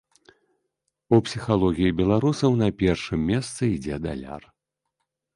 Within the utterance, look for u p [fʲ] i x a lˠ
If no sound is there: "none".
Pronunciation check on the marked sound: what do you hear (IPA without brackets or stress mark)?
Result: sʲ